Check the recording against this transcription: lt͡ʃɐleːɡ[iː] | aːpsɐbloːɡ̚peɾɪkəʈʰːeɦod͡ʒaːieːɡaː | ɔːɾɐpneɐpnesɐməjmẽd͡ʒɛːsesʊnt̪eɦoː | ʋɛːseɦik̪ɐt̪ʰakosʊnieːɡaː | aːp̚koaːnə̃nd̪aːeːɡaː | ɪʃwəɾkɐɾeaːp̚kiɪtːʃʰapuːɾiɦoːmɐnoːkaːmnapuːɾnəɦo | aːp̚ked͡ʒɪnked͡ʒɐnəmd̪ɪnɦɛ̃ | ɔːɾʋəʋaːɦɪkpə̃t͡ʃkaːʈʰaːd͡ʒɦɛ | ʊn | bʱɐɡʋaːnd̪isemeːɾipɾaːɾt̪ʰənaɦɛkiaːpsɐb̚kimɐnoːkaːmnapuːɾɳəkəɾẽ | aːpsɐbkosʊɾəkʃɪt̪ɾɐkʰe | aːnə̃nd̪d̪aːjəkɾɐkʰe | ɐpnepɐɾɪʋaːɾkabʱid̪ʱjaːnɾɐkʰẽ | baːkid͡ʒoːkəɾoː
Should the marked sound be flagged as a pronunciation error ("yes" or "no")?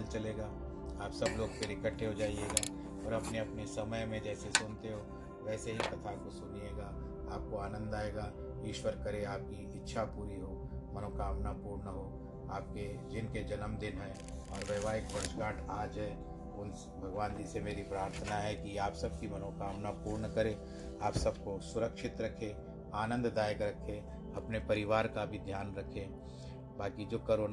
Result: yes